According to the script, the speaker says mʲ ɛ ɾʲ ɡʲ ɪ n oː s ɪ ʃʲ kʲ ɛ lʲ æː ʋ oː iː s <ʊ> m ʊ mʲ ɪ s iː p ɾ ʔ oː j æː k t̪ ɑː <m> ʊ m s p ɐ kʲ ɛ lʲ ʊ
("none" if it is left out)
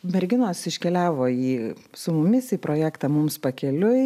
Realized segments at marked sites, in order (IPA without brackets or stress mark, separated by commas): ʊ, m